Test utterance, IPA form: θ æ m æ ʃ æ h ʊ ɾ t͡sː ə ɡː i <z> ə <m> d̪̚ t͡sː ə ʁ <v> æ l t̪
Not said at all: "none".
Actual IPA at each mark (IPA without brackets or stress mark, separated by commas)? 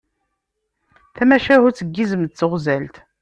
z, m, z